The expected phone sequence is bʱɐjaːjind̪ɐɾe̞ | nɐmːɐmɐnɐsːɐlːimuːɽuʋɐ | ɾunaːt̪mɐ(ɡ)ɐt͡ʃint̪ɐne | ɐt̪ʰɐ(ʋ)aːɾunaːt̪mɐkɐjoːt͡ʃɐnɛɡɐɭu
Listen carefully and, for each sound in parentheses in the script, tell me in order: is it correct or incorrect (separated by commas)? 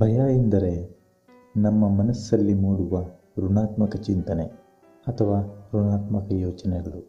incorrect, correct